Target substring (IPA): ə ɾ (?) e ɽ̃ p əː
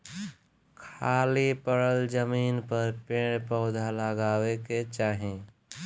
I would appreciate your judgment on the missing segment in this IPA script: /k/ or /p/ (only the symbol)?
p